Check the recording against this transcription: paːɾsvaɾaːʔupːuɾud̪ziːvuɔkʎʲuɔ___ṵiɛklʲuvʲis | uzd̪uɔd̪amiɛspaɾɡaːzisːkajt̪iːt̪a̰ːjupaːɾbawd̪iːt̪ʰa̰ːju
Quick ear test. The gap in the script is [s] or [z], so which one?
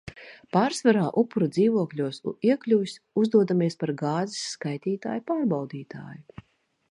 s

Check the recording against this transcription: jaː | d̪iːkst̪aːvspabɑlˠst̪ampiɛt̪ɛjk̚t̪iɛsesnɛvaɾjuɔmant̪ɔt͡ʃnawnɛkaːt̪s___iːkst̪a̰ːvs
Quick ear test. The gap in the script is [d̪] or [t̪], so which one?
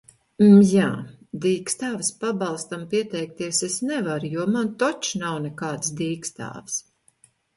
d̪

